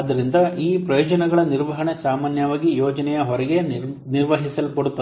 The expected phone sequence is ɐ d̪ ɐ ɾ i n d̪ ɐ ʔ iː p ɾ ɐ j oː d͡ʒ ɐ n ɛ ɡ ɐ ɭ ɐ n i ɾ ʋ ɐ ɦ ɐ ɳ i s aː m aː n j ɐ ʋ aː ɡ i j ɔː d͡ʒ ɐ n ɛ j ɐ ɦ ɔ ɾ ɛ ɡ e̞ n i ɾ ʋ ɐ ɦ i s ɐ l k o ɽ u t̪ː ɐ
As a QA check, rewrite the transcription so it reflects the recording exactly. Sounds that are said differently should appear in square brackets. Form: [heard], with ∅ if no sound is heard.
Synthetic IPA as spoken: ɐ d̪ ɐ ɾ i n d̪ ɐ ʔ iː p ɾ ɐ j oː d͡ʒ ɐ n ɛ ɡ ɐ ɭ ɐ n i ɾ ʋ ɐ ɦ ɐ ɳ [e] s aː m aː n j ɐ ʋ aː ɡ i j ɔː d͡ʒ ɐ n ɛ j ɐ ɦ ɔ ɾ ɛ ɡ e̞ n i ɾ ʋ ɐ ɦ i s ɐ l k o ɽ u t̪ː ɐ